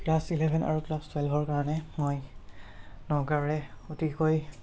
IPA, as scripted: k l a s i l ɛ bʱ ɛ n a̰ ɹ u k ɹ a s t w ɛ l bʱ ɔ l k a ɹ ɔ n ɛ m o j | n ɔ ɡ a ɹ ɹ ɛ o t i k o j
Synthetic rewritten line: k l a s i l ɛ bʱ ɛ n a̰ ɹ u k l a s t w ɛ l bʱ ɔ ɹ k a ɹ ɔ n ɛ m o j | n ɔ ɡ a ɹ ɹ ɛ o t i k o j